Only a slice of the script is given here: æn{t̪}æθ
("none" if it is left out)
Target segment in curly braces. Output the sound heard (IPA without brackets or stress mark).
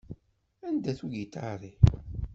d̪